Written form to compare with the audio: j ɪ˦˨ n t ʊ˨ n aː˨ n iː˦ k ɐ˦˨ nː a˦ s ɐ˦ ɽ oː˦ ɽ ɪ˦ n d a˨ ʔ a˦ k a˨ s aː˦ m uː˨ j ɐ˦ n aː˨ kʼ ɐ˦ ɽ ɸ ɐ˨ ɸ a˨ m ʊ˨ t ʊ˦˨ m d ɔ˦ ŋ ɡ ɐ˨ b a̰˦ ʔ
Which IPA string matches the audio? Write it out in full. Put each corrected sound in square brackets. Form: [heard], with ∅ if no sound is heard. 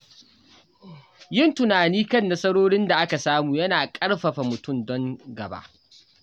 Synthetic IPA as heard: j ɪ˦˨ n t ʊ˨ n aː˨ n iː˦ k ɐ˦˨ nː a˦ s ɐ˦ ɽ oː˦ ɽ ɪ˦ n d a˨ ʔ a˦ k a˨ s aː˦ m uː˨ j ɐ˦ n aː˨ kʼ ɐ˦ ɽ ɸ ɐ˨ ɸ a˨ m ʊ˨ t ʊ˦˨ m d ɔ˦ ŋ ɡ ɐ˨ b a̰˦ ʔ